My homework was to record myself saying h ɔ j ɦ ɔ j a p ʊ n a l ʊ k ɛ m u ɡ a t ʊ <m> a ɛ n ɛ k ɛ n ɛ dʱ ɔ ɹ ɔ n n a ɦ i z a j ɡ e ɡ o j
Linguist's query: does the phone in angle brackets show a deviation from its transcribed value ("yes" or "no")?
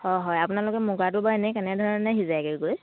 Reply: yes